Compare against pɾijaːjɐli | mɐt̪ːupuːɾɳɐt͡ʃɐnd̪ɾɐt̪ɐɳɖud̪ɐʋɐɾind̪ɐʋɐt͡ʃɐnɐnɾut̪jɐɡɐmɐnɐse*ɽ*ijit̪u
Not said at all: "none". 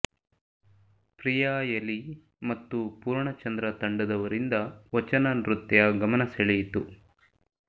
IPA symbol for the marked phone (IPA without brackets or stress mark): ɭ